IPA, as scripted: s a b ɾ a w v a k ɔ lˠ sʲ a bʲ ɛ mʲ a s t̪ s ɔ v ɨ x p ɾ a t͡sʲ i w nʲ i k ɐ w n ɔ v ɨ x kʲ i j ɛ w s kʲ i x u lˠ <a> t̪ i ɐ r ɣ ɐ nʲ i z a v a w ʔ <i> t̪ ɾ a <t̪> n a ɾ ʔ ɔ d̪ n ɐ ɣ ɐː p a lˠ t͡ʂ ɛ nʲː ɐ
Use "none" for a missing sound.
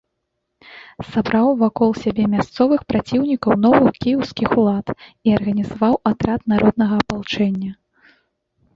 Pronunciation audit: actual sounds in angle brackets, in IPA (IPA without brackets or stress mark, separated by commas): a, a, t̪